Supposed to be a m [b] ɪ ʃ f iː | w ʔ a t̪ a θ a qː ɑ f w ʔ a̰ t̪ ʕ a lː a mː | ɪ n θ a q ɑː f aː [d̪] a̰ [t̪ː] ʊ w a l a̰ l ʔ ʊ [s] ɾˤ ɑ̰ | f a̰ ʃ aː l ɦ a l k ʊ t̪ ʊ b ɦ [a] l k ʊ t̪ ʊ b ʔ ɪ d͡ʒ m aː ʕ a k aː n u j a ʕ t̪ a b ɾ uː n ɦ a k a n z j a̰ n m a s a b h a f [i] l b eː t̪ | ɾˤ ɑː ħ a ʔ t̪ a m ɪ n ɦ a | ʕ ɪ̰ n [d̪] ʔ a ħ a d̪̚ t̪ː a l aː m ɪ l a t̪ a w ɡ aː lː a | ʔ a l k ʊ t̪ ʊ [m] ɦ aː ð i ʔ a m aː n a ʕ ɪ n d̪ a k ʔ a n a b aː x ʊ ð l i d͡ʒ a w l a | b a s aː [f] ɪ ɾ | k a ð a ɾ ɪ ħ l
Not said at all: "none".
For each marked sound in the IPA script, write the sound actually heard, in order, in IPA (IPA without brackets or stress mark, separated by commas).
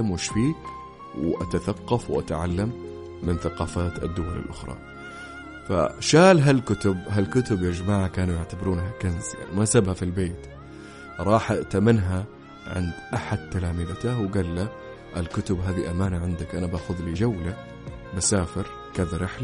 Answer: w, t̪, d̪ː, x, a, i, d̪, b, f